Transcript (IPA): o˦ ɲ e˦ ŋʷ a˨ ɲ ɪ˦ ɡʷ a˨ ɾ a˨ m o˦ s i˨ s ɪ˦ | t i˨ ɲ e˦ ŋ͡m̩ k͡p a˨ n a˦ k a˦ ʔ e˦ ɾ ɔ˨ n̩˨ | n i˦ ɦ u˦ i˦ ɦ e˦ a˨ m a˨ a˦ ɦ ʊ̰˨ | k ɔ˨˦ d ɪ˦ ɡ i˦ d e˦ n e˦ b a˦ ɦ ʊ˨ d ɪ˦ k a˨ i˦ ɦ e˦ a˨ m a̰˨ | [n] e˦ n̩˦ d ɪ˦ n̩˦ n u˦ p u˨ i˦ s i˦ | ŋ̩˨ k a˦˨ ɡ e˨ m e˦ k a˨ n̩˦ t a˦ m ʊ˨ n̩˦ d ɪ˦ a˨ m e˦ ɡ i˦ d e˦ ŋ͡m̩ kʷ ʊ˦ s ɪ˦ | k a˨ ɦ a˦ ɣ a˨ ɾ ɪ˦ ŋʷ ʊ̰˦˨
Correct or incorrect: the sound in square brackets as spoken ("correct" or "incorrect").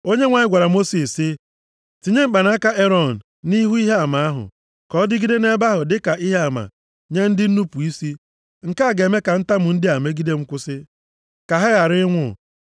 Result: incorrect